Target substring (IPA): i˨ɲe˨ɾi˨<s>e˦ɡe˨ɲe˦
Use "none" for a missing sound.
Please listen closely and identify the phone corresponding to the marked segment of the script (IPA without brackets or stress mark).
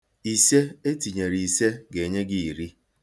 s